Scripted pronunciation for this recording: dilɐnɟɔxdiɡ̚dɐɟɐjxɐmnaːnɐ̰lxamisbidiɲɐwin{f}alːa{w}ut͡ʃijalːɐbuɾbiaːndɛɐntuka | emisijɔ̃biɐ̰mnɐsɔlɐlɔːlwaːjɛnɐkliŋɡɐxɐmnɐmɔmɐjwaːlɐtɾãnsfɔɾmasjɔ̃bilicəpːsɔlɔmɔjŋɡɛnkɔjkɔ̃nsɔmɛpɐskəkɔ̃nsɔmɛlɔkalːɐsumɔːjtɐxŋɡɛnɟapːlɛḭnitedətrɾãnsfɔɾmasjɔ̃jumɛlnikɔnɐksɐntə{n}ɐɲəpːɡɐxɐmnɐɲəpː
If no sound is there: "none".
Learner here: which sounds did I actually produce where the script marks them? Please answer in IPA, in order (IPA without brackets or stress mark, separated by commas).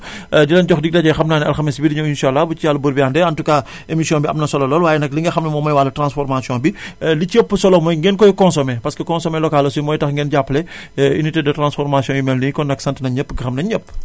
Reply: ʃ, b, n